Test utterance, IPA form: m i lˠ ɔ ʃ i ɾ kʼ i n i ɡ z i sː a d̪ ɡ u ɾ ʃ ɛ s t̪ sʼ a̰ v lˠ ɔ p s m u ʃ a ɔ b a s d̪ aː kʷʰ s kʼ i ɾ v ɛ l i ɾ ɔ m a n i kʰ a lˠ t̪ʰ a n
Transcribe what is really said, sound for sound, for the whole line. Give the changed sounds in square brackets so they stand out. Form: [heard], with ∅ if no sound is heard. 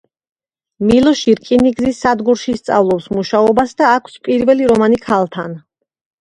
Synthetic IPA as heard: m i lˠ ɔ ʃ i ɾ kʼ i n i ɡ z i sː a d̪ ɡ u ɾ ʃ [i] s t̪ sʼ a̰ v lˠ ɔ p s m u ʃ a ɔ b a s d̪ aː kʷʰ s [pʼ] i ɾ v ɛ l i ɾ ɔ m a n i kʰ a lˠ t̪ʰ a n